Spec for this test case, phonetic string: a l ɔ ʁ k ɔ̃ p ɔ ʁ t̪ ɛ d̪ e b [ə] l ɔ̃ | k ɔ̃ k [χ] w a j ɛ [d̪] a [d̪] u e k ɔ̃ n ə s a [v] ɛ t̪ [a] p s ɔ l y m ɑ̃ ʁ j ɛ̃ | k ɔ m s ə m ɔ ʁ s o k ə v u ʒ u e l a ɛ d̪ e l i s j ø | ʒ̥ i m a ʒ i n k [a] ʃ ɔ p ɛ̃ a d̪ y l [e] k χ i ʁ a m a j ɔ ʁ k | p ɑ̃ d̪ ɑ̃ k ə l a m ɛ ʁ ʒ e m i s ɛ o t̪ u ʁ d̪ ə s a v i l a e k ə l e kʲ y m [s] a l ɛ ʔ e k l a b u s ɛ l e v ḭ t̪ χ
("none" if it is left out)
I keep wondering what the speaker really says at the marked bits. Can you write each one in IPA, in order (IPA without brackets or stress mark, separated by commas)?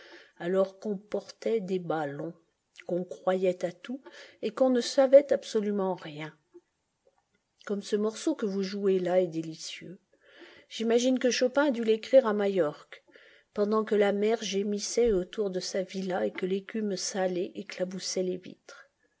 a, χ, t̪, t̪, v, a, ə, e, s